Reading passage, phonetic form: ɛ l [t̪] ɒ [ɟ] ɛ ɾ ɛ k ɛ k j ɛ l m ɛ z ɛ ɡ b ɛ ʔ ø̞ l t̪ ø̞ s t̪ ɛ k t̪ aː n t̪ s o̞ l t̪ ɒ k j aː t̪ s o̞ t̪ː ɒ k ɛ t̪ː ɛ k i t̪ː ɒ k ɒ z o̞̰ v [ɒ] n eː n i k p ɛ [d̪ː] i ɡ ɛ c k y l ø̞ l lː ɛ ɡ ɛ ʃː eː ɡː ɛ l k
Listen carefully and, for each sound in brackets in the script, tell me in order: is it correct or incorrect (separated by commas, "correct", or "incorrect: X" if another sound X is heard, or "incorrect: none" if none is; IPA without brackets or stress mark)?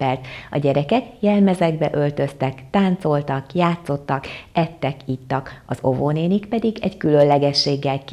correct, correct, incorrect: o, incorrect: d̪